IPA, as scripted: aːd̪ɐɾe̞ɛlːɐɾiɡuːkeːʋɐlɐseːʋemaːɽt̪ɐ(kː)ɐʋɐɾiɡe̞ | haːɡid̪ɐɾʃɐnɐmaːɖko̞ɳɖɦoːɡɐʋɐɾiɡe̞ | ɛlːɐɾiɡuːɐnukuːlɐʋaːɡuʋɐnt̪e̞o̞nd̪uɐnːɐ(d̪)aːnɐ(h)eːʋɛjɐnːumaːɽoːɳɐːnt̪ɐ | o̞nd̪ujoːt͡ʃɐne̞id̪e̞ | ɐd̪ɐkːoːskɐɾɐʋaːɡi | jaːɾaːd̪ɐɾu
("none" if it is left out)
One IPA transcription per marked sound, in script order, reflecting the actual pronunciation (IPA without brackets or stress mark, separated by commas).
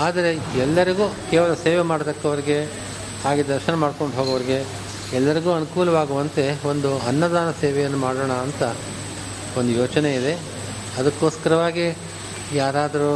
kː, d̪, s